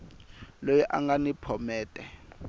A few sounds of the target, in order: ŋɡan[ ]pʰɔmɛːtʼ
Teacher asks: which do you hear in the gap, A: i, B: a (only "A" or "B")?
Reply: A